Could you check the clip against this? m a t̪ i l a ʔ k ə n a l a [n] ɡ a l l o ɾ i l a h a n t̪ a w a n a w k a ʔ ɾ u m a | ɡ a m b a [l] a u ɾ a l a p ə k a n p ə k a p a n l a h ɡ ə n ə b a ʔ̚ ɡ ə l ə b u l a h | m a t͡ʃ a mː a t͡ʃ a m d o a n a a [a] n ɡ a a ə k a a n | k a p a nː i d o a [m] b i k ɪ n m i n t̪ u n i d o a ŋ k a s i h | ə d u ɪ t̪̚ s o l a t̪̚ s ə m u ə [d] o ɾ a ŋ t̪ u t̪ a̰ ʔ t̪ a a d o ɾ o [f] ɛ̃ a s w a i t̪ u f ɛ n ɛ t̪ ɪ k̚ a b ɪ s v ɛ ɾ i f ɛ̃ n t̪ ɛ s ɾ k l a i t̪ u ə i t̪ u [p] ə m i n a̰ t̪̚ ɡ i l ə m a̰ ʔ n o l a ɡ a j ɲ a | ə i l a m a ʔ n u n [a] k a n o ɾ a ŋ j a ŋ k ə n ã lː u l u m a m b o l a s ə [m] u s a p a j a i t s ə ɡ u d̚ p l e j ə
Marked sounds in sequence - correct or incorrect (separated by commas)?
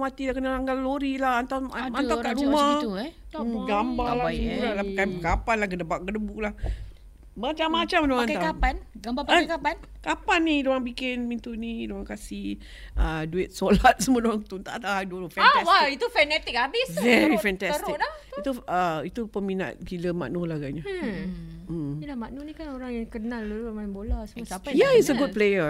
incorrect, correct, correct, incorrect, correct, correct, correct, incorrect, correct